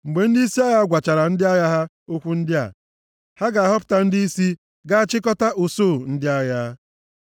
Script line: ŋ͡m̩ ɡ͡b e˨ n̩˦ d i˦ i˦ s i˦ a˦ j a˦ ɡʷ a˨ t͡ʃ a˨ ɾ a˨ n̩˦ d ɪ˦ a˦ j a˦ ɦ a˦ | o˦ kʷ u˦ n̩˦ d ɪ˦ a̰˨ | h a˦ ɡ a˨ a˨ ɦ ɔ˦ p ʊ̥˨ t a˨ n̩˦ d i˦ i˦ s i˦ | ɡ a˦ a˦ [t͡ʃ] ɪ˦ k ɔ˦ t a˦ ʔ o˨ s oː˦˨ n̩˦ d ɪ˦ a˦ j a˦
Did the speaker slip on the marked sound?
no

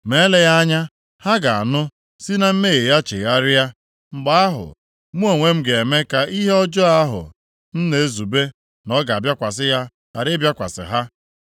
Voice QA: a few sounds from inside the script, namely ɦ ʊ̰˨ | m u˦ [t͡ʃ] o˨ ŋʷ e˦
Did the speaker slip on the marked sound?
yes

